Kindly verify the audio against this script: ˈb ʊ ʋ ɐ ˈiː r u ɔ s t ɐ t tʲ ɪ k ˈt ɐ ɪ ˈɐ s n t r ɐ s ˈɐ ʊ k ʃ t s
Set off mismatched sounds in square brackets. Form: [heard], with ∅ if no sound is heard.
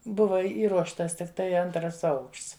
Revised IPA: ˈb ʊ ʋ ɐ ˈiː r u ɔ [ʃ] t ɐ [s] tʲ ɪ k ˈt ɐ ɪ ˈɐ [∅] n t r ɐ s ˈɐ ʊ k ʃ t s